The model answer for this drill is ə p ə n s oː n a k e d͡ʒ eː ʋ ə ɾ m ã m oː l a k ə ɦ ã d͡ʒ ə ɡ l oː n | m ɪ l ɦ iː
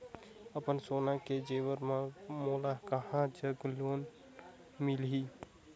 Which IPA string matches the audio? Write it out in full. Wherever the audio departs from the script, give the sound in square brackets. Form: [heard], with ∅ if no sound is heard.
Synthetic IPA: ə p ə n s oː n a k e d͡ʒ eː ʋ ə ɾ m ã m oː l a k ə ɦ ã d͡ʒ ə ɡ l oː n | m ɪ l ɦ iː

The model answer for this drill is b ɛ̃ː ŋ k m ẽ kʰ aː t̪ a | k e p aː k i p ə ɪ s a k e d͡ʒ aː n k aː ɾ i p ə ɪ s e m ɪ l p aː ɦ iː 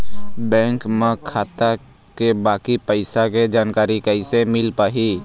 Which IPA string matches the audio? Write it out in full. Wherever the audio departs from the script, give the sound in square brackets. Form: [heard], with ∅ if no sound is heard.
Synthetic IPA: b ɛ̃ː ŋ k m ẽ kʰ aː t̪ a | k e [b] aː k i p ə ɪ s a k e d͡ʒ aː n k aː ɾ i [k] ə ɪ s e m ɪ l p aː ɦ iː

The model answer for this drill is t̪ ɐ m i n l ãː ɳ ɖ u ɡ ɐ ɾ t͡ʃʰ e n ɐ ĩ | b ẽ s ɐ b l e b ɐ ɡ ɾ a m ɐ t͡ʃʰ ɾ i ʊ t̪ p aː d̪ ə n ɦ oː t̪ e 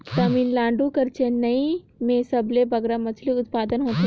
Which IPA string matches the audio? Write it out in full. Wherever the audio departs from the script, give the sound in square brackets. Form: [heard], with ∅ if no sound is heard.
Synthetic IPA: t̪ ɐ m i n l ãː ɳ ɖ u [k] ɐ ɾ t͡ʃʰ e n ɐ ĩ | [m] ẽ s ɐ b l e b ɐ ɡ ɾ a m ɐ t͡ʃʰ [l] i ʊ t̪ p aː d̪ ə n ɦ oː t̪ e

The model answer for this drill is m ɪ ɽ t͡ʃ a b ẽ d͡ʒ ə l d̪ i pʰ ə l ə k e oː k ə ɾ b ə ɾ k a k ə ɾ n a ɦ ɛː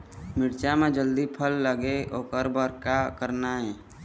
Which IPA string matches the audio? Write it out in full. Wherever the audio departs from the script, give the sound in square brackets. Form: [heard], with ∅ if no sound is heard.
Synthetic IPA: m ɪ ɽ t͡ʃ a [m] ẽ d͡ʒ ə l d̪ i pʰ ə [lː] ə [ɡ] e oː k ə ɾ b ə ɾ k a k ə ɾ n a ɦ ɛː

